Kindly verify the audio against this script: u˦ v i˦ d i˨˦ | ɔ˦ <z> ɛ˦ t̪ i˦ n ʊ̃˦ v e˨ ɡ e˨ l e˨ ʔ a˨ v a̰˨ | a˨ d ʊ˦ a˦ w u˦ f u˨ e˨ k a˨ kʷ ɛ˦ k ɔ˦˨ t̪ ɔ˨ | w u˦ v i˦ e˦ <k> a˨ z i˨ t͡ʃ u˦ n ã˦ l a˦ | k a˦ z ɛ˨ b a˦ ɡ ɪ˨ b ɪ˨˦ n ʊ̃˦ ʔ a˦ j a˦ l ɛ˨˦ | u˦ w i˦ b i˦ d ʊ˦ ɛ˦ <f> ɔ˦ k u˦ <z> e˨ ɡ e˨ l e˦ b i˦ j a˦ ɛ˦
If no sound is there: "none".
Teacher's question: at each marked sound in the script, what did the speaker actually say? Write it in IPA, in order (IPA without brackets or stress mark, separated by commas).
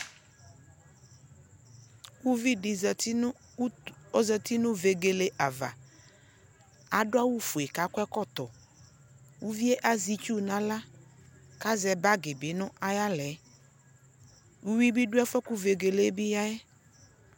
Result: z, ʔ, f, v